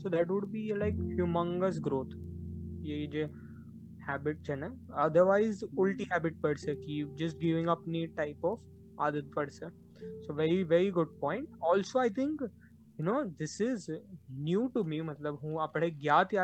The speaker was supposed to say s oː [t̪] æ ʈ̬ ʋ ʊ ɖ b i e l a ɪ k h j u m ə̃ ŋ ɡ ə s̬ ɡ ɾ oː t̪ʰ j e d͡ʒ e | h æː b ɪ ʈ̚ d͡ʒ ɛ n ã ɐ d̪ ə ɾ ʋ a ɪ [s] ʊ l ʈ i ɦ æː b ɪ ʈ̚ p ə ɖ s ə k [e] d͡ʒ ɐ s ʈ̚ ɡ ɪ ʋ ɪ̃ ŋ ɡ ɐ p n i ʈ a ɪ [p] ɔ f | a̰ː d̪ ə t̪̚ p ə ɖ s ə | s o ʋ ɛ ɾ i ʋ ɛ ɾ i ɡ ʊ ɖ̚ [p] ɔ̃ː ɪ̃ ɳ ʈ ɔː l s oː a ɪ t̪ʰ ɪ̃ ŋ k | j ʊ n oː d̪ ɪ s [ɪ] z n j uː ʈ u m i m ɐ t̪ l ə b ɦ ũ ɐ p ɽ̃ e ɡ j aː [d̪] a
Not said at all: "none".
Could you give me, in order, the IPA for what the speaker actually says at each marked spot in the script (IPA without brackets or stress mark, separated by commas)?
d̪, z, i, p, p, ɪ, t̪